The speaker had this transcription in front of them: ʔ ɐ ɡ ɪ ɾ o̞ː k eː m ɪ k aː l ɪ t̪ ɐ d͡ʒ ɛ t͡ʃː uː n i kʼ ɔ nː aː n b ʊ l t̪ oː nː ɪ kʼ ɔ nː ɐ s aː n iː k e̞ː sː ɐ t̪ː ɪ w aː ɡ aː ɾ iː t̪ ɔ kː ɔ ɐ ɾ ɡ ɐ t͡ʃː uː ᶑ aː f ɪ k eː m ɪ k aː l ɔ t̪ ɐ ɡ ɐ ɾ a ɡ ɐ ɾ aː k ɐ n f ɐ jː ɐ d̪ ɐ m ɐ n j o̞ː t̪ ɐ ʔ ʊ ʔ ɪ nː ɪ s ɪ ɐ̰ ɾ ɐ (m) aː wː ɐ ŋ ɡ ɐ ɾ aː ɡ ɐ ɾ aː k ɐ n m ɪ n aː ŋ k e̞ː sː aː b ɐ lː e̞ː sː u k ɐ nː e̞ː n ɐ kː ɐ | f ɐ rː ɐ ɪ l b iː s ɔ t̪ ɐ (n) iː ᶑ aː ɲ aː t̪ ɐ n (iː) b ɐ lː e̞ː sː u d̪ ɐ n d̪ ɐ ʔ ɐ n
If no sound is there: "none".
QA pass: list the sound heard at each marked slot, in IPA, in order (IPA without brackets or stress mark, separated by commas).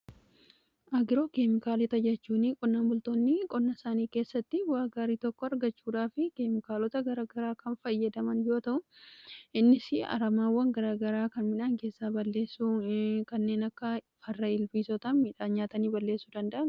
m, m, iː